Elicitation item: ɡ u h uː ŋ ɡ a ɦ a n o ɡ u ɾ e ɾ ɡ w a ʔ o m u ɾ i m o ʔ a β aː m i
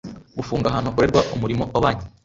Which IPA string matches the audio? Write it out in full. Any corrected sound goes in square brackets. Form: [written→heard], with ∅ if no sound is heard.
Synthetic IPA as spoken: ɡ u [h→f] uː ŋ ɡ a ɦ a n o [ɡ→k] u ɾ e ɾ ɡ w a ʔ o m u ɾ i m o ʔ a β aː [m→ɲ] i